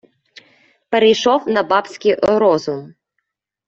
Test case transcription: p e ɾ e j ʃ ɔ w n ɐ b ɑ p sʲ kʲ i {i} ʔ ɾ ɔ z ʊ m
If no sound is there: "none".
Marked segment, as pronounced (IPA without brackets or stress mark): j